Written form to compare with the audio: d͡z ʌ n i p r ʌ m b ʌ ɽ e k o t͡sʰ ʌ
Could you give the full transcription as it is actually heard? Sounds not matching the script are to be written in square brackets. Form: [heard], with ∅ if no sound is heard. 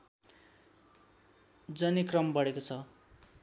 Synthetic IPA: d͡z ʌ n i [k] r ʌ m b ʌ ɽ e k o t͡sʰ ʌ